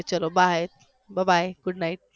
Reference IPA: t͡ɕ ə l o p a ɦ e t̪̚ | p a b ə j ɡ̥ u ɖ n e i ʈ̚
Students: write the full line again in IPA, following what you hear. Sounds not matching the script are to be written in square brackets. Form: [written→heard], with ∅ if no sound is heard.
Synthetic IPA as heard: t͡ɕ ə l o [p→b] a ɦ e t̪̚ | [p→b] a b [ə→a] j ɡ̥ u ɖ n [e→a] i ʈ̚